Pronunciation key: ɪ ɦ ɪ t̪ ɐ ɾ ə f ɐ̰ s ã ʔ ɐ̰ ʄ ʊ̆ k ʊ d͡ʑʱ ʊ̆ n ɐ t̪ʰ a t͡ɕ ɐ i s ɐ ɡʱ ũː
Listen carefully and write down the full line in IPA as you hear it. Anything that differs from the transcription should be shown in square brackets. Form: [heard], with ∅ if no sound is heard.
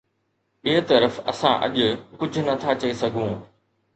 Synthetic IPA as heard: ɪ ɦ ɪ t̪ ɐ ɾ ə f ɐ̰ s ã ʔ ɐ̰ ʄ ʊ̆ k ʊ d͡ʑʱ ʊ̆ n ɐ t̪ʰ a t͡ɕ ɐ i s ɐ ɡʱ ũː